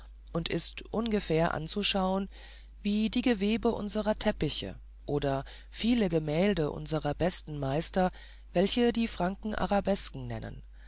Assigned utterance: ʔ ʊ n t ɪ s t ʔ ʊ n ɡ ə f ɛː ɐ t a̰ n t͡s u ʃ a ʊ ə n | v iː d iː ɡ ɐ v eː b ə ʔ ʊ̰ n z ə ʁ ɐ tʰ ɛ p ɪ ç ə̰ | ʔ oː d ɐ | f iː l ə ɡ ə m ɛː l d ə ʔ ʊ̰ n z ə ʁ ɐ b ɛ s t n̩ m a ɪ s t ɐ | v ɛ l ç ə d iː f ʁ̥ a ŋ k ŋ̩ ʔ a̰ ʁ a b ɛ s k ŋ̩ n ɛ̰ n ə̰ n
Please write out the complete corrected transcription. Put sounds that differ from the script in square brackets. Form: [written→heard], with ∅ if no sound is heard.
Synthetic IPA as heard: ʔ ʊ n t ɪ s t ʔ ʊ n ɡ ə f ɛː ɐ [t→ʔ] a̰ n t͡s u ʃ a ʊ ə n | v iː d iː ɡ [ɐ→ə] v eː b ə ʔ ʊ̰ n z ə ʁ ɐ tʰ ɛ p ɪ ç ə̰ | ʔ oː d ɐ | f iː l ə ɡ ə m ɛː l d ə ʔ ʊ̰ n z ə ʁ ɐ b ɛ s t n̩ m a ɪ s t ɐ | v ɛ l ç ə d iː f ʁ̥ a ŋ k ŋ̩ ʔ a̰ ʁ a b ɛ s k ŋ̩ n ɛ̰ n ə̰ n